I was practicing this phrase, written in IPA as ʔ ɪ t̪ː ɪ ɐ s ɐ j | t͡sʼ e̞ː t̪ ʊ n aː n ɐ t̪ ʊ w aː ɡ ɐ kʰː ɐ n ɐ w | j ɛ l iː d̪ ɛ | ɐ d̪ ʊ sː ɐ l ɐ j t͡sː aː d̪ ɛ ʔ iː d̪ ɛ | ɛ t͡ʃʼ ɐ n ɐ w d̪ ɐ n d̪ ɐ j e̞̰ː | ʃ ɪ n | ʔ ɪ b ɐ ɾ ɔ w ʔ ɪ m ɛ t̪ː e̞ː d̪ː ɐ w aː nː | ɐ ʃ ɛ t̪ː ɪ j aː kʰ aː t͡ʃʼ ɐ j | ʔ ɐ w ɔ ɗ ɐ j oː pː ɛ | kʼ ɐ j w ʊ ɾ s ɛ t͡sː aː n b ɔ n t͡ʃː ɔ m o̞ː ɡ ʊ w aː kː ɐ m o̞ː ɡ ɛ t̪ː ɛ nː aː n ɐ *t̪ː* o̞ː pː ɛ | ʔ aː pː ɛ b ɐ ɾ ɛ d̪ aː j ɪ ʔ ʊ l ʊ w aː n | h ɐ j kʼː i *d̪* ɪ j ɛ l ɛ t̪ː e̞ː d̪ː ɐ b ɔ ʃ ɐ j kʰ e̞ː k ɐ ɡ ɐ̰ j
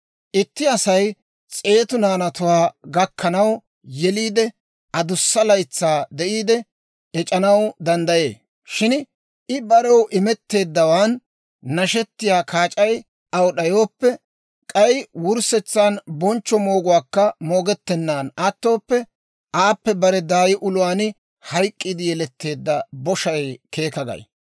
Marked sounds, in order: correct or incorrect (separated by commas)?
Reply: correct, correct